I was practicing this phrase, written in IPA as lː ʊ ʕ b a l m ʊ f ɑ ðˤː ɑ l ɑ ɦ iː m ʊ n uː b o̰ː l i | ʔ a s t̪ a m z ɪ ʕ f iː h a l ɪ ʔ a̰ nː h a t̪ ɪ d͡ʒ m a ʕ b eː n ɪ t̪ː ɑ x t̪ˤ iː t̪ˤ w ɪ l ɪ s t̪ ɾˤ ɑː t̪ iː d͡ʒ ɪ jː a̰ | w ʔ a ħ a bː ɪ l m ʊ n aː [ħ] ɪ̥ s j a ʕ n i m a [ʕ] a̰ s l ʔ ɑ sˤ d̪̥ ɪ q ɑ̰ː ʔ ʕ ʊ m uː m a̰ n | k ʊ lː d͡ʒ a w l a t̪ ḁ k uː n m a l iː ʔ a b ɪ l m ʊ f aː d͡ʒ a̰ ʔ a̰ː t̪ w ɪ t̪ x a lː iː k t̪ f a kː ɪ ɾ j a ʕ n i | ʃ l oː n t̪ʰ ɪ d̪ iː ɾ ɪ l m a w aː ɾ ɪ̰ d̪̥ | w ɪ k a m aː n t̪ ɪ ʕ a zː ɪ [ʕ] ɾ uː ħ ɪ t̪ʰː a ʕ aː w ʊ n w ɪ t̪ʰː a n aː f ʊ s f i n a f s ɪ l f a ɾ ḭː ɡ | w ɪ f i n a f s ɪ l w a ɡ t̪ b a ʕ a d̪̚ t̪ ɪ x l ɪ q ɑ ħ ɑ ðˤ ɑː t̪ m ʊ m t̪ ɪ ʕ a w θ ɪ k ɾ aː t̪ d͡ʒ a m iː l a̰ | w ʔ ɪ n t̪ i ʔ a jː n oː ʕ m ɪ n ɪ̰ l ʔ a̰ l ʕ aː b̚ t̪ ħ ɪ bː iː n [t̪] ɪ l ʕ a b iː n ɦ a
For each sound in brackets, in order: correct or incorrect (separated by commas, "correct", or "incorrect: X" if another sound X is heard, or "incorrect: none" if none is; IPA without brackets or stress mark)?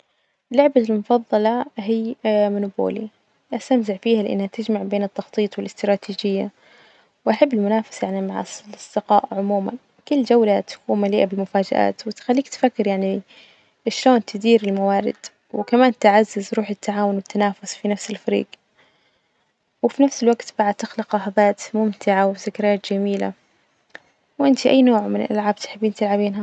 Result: incorrect: f, correct, incorrect: z, correct